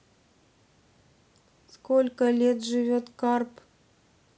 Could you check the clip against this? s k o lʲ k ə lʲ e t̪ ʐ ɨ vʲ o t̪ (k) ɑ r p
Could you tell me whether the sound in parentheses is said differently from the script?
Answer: no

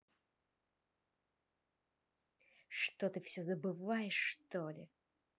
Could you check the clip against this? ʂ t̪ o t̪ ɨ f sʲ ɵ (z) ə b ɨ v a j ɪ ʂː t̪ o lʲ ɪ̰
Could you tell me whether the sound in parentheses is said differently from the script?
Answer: no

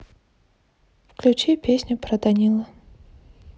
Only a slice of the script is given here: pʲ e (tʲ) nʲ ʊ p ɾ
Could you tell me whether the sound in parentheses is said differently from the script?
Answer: yes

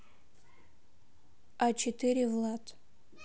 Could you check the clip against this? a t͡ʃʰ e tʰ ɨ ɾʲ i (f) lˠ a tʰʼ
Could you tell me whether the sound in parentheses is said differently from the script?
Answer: yes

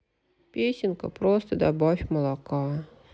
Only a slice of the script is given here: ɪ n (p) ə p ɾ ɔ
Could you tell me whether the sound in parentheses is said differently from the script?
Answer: yes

